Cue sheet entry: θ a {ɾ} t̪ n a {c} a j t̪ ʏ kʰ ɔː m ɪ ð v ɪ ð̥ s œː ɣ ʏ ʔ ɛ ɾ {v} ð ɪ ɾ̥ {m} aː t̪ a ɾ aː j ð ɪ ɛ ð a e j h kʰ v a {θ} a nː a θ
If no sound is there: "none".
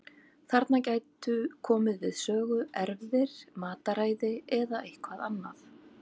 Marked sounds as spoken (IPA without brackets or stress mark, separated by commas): ɾ, c, v, m, ð